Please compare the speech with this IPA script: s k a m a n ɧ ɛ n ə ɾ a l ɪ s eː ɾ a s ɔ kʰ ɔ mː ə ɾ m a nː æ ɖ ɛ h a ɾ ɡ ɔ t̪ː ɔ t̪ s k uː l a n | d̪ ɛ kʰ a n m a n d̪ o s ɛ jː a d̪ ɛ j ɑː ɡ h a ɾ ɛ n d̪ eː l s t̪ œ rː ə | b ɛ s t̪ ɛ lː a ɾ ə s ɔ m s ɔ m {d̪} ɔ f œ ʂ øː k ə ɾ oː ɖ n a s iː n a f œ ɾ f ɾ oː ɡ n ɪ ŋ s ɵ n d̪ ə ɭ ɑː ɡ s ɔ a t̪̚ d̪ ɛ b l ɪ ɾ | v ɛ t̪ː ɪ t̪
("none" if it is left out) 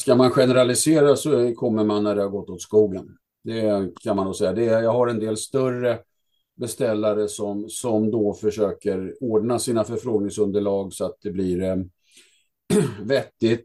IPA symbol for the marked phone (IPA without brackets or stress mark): d̪